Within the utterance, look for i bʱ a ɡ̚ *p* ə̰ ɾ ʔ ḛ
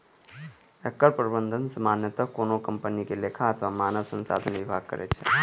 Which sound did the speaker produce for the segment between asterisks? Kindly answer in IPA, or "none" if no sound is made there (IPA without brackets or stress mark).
k